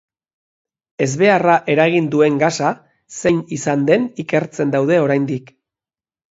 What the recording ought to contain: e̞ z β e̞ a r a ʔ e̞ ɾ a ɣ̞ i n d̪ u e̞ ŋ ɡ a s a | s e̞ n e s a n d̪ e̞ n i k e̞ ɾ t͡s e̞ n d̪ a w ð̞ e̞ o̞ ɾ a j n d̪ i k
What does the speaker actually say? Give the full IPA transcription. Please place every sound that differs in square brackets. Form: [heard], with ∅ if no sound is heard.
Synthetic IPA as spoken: e̞ z β e̞ a r a ʔ e̞ ɾ a ɣ̞ i n d̪ u e̞ ŋ ɡ a s a | s e̞ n [i] s a n d̪ e̞ n i k e̞ ɾ t͡s e̞ n d̪ a w ð̞ e̞ o̞ ɾ a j n d̪ i k